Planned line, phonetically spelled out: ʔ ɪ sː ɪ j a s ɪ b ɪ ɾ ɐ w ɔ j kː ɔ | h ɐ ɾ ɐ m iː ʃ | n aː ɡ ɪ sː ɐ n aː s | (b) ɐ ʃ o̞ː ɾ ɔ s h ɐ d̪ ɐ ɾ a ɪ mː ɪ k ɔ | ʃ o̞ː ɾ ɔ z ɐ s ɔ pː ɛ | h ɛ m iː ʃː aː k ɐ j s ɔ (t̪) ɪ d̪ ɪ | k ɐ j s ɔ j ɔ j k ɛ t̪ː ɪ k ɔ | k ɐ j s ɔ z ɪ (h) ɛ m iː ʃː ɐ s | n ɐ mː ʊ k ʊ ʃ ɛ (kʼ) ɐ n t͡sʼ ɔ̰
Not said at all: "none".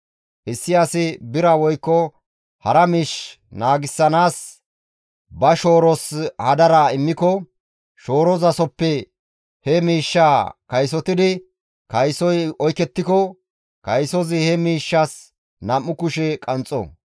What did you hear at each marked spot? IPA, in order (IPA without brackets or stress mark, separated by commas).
b, t̪, h, kʼ